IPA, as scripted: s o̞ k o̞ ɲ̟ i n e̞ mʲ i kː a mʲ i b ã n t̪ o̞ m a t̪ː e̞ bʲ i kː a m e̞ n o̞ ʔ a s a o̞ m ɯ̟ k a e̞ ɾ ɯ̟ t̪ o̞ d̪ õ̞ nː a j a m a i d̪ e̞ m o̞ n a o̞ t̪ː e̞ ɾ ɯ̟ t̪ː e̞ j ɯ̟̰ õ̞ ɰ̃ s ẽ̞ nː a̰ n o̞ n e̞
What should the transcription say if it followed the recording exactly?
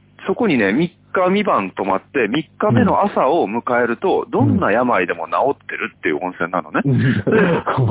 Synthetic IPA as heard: s o̞ k o̞ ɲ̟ i n e̞ mʲ i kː a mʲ i b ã n t̪ o̞ m a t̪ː e̞ mʲ i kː a m e̞ n o̞ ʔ a s a o̞ m ɯ̟ k a e̞ ɾ ɯ̟ t̪ o̞ d̪ õ̞ nː a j a m a i d̪ e̞ m o̞ n a o̞ t̪ː e̞ ɾ ɯ̟ t̪ː e̞ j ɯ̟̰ õ̞ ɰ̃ s ẽ̞ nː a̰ n o̞ n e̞